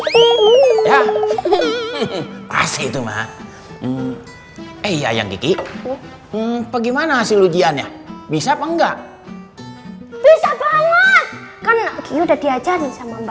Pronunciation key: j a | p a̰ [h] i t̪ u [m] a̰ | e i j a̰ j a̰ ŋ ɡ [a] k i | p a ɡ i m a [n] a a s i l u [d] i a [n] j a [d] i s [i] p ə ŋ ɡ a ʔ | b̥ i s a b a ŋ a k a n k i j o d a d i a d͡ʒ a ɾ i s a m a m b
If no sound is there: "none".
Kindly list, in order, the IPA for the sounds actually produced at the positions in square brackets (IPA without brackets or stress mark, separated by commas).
s, m, i, n, d͡ʒ, n, b, a